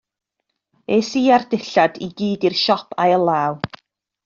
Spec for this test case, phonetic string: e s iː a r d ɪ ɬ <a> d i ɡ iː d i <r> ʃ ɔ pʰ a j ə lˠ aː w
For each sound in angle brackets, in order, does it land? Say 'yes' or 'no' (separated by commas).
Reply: yes, yes